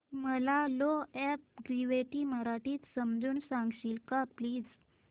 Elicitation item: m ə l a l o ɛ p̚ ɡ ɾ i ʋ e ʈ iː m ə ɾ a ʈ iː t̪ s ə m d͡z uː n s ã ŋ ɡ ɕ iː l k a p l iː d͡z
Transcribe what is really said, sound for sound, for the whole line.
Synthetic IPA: m ə l a l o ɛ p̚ ɡ ɾ i ʋ e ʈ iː m ə ɾ a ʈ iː t̪ s ə m d͡z uː n s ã ŋ ɡ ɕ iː l k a p l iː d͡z